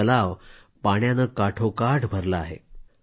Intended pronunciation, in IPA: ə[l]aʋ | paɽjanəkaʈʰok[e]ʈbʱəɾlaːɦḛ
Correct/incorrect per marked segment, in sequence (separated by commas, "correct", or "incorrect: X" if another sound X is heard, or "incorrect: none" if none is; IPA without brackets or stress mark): correct, incorrect: a